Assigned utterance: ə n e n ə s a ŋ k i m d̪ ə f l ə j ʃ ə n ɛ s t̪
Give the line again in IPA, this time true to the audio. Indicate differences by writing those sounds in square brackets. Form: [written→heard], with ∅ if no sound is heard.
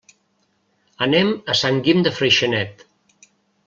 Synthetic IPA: ə n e [n→m] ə s a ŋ [k→ɡ] i m d̪ ə f [l→ɾ] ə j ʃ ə n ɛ [s→∅] t̪